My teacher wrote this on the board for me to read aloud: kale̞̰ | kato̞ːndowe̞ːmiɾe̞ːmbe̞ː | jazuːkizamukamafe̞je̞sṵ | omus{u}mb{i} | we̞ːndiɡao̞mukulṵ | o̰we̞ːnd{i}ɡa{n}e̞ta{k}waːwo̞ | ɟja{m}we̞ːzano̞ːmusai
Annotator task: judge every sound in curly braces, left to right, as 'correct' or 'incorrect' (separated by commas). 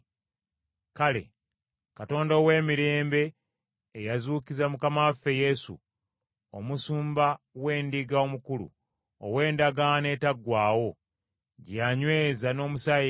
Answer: incorrect, incorrect, incorrect, correct, incorrect, incorrect